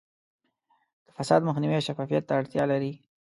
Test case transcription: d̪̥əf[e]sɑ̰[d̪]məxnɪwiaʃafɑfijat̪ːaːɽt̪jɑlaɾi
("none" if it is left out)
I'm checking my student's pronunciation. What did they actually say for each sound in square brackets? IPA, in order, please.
a, d̪

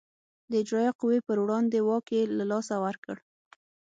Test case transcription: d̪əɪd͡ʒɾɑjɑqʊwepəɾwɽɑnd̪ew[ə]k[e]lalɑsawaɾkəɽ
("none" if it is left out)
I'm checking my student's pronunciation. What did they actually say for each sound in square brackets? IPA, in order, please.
ɑ, e

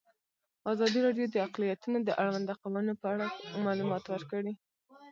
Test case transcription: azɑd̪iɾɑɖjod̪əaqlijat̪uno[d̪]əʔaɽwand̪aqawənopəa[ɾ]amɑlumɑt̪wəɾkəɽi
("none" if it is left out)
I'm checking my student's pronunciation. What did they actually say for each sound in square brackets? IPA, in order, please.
d̪, ɽ

